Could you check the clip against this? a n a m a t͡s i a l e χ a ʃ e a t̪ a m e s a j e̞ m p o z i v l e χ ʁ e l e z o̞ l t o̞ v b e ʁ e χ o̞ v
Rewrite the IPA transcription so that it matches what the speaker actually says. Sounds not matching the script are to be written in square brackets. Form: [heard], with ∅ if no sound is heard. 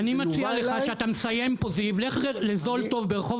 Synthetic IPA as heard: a n [i] m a t͡s i a l e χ a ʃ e a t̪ a m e s a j e̞ m p o z i v l e χ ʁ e l e z o̞ l t o̞ v b e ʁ e χ o̞ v